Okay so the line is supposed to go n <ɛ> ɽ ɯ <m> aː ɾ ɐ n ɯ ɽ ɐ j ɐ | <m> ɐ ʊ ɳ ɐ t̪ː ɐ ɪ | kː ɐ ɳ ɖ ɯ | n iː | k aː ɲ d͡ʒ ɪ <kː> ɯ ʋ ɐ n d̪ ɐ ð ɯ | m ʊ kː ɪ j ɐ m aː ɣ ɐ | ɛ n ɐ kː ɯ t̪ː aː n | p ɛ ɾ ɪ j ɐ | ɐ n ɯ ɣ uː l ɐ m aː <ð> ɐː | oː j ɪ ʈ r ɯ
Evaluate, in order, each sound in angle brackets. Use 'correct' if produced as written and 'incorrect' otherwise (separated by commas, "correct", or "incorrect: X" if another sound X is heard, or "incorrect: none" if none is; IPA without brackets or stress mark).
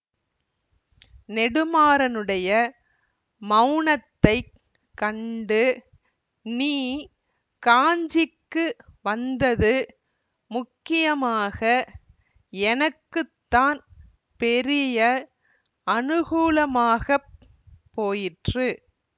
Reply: correct, correct, correct, correct, incorrect: ɣ